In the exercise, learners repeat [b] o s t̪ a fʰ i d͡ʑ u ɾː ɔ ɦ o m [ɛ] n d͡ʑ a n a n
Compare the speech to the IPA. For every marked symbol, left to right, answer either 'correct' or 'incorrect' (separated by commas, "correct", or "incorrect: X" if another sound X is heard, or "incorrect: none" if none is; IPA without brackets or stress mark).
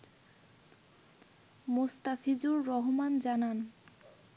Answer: incorrect: m, incorrect: a